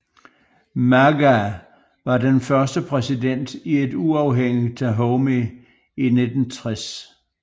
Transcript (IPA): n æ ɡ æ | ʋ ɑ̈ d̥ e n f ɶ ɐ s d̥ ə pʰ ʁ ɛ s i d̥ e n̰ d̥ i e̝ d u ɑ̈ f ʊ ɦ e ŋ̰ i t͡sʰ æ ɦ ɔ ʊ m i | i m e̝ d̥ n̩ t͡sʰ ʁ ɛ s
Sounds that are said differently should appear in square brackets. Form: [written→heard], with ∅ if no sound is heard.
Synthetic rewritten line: [n→m] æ ɡ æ | ʋ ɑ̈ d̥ e n f ɶ ɐ s d̥ ə pʰ ʁ ɛ s i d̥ e n̰ d̥ i e̝ d u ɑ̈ [f→∅] ʊ ɦ e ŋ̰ i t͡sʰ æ ɦ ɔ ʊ m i | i [m→n] e̝ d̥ n̩ t͡sʰ ʁ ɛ s